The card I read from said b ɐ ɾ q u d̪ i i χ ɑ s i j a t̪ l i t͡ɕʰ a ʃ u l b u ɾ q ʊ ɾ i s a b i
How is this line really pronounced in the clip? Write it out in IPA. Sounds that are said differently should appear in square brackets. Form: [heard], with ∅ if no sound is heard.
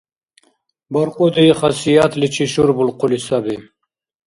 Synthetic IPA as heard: b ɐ ɾ q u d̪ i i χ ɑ s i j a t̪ l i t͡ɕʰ [i] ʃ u [ɾ] b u [l] q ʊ [l] i s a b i